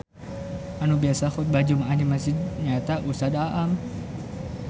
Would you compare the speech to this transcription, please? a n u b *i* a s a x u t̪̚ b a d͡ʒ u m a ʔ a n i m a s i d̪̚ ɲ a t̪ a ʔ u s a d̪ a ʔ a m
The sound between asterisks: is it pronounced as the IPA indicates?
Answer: yes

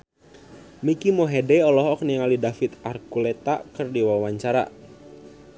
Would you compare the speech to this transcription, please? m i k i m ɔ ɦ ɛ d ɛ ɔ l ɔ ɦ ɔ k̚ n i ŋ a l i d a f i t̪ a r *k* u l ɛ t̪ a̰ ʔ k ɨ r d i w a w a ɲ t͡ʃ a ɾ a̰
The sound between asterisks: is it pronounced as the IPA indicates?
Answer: yes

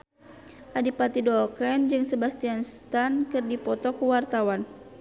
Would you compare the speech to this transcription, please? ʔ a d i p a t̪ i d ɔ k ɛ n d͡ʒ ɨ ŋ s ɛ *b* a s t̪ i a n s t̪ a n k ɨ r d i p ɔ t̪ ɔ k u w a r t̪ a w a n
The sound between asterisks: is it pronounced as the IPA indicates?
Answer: yes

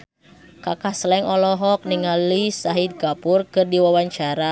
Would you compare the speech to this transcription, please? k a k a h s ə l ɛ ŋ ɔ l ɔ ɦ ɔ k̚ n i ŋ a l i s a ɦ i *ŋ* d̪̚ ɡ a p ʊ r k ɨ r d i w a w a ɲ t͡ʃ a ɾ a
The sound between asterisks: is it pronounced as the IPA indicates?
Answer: no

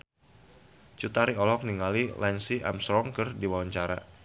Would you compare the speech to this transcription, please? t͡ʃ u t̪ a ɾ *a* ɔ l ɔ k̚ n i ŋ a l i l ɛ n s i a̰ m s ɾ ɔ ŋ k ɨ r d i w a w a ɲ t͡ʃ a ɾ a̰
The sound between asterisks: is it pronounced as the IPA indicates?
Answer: no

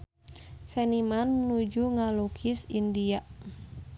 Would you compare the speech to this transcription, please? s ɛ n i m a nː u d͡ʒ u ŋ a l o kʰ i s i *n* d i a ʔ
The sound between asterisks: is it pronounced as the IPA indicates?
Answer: yes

